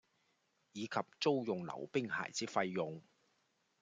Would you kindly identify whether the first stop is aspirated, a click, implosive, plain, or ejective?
aspirated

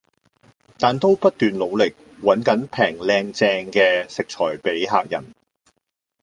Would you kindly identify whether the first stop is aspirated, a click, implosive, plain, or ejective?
plain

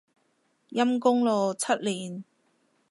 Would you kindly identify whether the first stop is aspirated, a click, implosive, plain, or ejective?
plain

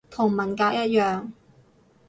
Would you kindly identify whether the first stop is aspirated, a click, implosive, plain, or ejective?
aspirated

